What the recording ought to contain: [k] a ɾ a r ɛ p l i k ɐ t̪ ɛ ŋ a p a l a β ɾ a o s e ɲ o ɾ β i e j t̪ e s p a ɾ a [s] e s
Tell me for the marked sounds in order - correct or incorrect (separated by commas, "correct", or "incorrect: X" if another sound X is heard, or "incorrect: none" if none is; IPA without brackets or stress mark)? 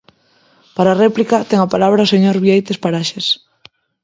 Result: incorrect: p, incorrect: ʃ